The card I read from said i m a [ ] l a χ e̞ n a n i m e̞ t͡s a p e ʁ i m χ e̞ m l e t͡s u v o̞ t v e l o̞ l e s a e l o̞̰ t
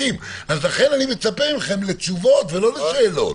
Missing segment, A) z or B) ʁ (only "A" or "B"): A